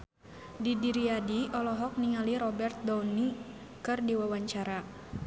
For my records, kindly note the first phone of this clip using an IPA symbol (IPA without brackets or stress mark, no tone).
d